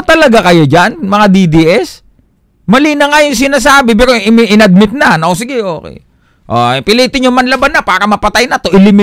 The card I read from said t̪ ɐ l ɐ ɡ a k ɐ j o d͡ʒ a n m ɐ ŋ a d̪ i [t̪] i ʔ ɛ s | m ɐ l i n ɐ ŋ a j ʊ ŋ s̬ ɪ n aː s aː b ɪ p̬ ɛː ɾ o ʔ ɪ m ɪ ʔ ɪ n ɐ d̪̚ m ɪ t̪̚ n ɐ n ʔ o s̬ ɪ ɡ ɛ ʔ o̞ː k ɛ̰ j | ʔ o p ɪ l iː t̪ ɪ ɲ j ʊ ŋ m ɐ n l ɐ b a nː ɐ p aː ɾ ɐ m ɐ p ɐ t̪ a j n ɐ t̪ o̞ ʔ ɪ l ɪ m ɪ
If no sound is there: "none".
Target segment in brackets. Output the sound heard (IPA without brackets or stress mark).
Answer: d̪